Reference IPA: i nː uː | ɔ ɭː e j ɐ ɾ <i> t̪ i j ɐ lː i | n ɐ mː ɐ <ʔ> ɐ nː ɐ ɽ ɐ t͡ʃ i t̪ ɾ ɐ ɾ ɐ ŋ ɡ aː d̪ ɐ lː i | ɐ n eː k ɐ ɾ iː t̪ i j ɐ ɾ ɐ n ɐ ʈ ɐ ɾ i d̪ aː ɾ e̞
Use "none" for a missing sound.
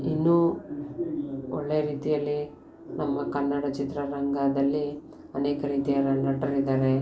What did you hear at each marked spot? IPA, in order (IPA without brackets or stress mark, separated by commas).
iː, k